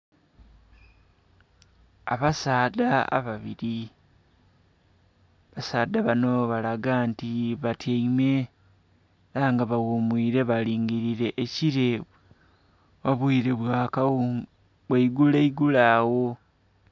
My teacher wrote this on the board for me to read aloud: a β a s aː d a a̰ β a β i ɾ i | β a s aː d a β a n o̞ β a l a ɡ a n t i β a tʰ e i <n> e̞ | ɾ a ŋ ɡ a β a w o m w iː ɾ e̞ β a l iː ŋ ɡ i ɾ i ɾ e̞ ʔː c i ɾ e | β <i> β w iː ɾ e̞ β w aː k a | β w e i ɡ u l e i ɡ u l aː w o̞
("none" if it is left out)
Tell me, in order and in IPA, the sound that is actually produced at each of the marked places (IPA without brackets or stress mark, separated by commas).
m, a